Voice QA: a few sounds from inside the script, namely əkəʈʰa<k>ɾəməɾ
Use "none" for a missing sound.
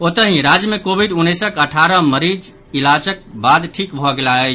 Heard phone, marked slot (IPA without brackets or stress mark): none